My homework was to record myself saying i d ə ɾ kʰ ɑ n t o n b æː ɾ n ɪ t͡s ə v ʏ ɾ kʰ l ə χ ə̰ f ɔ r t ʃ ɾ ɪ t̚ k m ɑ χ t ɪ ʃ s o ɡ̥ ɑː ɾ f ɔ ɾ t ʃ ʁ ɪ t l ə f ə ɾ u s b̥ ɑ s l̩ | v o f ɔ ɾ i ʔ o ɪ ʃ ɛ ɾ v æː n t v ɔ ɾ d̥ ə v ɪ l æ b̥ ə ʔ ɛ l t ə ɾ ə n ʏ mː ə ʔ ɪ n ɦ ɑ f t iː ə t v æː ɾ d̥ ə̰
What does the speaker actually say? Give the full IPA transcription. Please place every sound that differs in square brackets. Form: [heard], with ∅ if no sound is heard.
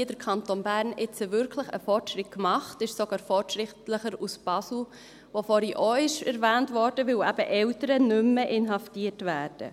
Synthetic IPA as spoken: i d ə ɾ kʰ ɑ n t o n b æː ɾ n ɪ t͡s ə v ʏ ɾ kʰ l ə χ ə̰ f ɔ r t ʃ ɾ ɪ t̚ k m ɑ χ t ɪ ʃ s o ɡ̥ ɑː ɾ f ɔ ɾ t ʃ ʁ ɪ t l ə [χ] ə ɾ u s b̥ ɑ s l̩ | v o f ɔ ɾ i ʔ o ɪ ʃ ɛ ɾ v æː n t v ɔ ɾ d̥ ə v ɪ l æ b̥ ə ʔ ɛ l t ə ɾ ə n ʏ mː ə ʔ ɪ n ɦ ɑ f t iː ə t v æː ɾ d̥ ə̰